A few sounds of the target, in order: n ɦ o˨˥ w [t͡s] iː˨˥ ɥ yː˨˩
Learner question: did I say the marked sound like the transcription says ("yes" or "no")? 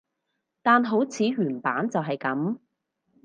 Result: no